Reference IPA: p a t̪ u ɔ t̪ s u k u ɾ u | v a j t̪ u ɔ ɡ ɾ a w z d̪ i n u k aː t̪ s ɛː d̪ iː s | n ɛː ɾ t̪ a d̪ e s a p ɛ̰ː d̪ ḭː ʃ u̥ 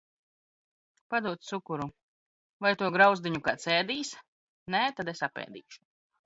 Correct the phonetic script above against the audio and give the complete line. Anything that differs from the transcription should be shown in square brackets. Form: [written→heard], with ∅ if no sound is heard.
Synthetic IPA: p a [t̪→d̪] u ɔ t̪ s u k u ɾ u | v a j t̪ u ɔ ɡ ɾ a w z d̪ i [n→ɲ] u k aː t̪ s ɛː d̪ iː s | n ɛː [ɾ→∅] t̪ a d̪ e s a p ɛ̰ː d̪ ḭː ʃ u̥